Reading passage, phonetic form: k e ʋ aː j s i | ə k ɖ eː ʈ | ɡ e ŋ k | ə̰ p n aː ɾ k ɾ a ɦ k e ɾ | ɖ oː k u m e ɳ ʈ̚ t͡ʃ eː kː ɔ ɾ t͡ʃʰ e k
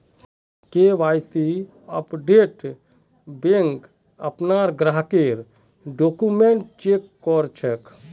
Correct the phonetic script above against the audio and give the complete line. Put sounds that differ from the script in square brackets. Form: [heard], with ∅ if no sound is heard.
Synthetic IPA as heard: k e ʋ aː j s i | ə [p] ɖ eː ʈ | [b] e ŋ k | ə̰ p n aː ɾ [ɡ] ɾ a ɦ k e ɾ | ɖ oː k u m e ɳ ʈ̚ t͡ʃ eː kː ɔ ɾ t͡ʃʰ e k